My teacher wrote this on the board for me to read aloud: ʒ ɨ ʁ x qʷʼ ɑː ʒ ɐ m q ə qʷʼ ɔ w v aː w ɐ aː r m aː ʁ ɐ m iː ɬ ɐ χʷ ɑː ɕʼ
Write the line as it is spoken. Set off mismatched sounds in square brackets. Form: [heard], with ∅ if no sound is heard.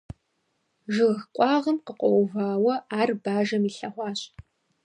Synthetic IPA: ʒ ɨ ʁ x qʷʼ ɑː [ʁ] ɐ m q ə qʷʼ ɔ w v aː w ɐ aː r [b] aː [ʒ] ɐ m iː ɬ ɐ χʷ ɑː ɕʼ